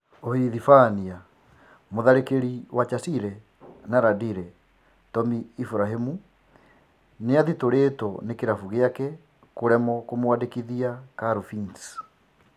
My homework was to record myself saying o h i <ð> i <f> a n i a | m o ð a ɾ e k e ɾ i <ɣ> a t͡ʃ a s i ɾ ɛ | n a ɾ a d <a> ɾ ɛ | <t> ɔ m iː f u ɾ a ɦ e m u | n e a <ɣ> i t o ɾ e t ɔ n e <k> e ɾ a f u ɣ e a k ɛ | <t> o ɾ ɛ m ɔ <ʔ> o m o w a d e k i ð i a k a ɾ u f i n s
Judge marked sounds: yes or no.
yes, yes, no, no, yes, no, yes, no, no

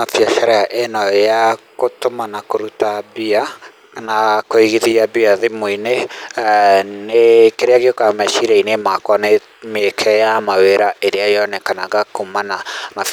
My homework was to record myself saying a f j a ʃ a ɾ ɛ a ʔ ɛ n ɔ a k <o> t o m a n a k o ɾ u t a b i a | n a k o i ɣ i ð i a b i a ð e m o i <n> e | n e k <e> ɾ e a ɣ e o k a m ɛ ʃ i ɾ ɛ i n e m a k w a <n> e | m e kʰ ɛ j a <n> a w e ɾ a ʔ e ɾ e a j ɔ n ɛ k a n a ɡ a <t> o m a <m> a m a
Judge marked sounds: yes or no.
yes, yes, yes, yes, no, no, no

